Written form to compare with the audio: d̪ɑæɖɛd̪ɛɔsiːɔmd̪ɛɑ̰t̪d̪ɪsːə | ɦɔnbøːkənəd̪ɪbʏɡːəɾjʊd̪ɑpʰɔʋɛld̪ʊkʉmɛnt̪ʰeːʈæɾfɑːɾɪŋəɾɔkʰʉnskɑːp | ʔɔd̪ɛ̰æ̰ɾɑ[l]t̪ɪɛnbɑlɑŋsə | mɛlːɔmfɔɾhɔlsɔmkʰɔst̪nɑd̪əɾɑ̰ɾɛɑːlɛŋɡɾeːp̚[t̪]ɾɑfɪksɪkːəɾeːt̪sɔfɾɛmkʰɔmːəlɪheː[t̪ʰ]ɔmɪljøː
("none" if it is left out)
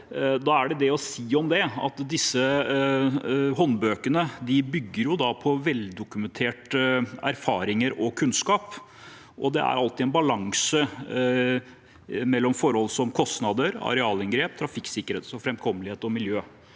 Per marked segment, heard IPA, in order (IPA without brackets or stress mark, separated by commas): l, t̪ʰ, t̪